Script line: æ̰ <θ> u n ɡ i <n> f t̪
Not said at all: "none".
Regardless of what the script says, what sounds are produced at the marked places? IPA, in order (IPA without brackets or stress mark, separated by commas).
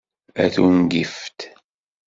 θ, none